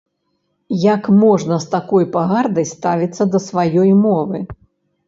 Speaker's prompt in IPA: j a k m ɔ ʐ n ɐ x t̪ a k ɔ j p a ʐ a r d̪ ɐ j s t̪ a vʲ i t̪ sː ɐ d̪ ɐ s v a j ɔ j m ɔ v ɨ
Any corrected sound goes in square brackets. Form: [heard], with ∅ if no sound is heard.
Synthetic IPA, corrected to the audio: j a k m ɔ ʐ n ɐ [s] t̪ a k ɔ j p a [ɣ] a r d̪ ɐ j s t̪ a vʲ i t̪ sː ɐ d̪ ɐ s v a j ɔ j m ɔ v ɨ